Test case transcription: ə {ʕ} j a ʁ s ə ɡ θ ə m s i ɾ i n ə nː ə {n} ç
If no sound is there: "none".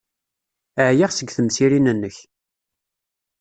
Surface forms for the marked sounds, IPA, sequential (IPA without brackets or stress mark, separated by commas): ʕ, none